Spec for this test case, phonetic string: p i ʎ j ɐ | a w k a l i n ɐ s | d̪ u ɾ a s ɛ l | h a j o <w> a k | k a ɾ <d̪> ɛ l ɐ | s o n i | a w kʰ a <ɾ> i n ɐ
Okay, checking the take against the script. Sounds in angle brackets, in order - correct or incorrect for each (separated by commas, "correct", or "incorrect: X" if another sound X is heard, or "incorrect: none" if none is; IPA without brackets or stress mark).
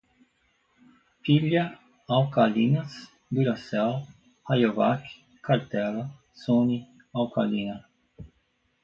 incorrect: v, incorrect: t̪, incorrect: l